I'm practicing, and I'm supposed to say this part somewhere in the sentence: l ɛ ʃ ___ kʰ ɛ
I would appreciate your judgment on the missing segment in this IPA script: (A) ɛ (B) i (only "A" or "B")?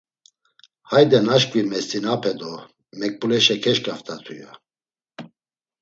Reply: A